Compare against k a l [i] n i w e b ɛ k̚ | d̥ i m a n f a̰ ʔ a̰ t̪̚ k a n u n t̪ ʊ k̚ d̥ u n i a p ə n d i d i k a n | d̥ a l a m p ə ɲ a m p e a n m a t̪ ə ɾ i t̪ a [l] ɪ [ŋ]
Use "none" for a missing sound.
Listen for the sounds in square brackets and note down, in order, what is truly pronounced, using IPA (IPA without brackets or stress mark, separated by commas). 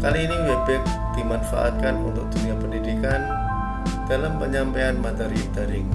iː, ɾ, ŋ